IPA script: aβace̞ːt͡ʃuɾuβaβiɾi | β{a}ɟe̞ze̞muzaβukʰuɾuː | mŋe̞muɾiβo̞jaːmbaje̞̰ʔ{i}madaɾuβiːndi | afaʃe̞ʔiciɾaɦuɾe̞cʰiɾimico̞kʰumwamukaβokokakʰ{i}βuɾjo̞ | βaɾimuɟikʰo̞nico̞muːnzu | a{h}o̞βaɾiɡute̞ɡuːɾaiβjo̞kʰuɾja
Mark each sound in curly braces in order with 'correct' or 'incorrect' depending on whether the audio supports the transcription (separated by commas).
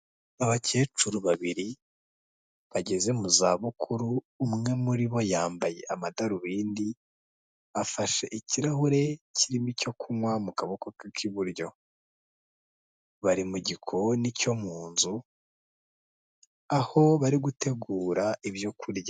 correct, incorrect, correct, correct